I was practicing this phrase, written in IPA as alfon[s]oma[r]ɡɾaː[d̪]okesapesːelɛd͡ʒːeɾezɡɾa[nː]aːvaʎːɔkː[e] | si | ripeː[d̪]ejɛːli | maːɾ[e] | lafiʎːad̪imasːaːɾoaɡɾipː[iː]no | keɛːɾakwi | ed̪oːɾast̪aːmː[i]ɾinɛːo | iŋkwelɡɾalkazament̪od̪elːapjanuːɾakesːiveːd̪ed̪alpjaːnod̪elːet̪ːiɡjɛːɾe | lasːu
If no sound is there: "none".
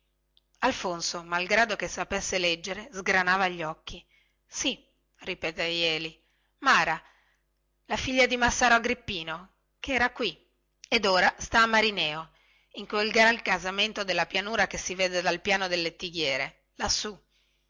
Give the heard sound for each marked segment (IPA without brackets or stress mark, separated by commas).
s, l, d̪, n, i, t̪, a, iː, a